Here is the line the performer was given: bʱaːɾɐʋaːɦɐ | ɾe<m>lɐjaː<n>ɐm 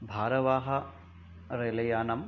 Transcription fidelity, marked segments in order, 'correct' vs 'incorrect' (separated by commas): incorrect, correct